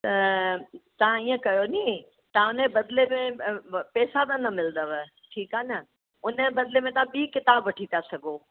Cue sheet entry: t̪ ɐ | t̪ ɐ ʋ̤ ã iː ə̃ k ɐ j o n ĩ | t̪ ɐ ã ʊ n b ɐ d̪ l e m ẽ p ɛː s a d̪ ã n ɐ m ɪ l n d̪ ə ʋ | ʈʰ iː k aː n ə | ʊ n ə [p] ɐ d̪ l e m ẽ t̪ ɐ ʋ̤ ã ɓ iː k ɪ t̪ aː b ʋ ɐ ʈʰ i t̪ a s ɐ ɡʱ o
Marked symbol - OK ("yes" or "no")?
no